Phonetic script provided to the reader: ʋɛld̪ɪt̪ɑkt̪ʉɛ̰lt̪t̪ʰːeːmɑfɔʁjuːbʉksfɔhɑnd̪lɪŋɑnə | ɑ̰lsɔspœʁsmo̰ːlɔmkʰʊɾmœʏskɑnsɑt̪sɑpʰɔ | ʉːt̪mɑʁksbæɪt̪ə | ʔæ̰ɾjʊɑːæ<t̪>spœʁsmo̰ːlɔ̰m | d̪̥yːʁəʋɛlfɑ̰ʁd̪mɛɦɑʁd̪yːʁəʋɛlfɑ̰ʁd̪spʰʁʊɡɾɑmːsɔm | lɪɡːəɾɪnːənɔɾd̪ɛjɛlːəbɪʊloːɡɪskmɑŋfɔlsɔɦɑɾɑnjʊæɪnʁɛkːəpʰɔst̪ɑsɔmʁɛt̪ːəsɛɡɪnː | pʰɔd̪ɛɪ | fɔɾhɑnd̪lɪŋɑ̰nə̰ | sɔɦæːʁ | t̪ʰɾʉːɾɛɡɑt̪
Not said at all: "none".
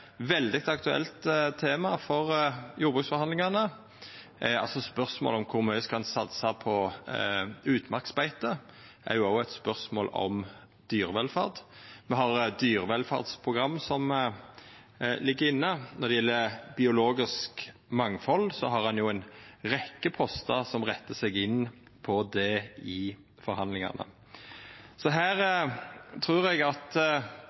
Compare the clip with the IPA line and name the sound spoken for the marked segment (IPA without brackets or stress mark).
t̪